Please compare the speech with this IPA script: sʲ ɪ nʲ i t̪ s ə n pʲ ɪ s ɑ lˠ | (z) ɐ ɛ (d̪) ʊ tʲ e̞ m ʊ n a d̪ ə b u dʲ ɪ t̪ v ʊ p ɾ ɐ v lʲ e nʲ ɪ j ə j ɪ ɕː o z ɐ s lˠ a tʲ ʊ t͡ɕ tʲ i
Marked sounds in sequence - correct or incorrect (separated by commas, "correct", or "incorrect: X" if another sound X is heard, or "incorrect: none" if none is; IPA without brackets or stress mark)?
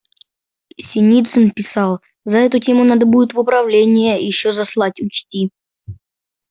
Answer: correct, incorrect: t̪